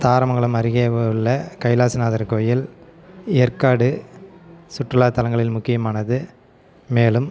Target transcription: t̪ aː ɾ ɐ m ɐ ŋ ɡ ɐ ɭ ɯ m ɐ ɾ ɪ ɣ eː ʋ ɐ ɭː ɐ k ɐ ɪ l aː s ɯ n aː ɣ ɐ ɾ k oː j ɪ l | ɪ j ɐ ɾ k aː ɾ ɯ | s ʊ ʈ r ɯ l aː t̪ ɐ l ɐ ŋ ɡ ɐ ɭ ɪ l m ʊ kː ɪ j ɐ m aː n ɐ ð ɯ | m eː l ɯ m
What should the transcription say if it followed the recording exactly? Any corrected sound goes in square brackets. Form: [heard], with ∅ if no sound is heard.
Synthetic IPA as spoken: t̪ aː ɾ ɐ m ɐ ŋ ɡ ɐ ɭ ɯ m ɐ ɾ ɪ ɣ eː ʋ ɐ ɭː ɐ k ɐ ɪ l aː s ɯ n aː [ð] ɐ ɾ k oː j ɪ l | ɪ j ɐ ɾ k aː [ɽ] ɯ | s ʊ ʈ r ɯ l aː t̪ ɐ l ɐ ŋ ɡ ɐ ɭ ɪ l m ʊ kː ɪ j ɐ m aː n ɐ ð ɯ | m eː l ɯ m